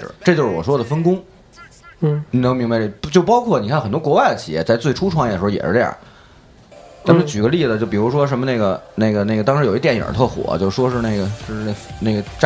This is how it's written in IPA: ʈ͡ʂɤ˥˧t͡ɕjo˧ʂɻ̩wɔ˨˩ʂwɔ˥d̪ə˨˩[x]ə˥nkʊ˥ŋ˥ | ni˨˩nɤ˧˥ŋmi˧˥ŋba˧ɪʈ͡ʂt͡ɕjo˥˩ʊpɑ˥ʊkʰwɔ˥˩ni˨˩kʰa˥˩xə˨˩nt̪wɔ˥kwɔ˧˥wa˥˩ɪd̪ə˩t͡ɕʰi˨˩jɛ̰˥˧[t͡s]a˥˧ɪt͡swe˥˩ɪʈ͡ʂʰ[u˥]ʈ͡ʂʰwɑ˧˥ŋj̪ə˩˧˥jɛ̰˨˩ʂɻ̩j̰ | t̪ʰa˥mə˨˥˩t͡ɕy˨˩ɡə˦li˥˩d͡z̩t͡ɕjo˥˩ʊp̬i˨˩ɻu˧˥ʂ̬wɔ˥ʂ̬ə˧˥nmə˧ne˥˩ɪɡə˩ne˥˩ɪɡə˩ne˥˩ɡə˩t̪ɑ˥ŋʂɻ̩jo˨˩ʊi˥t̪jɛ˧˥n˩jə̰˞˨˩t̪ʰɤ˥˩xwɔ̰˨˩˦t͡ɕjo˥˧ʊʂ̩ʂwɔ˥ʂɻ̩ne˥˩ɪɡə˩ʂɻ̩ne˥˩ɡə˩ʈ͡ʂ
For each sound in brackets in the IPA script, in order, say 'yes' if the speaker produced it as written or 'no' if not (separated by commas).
no, yes, yes